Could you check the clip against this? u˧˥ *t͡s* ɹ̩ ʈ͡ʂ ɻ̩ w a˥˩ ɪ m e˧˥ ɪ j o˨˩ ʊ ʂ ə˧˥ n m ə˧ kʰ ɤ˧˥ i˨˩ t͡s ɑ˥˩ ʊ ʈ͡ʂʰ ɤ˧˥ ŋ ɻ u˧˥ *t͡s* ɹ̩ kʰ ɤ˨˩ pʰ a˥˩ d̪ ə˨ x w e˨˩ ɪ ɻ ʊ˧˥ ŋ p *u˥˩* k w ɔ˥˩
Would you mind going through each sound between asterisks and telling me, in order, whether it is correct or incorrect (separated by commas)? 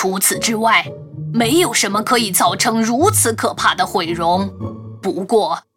incorrect, incorrect, incorrect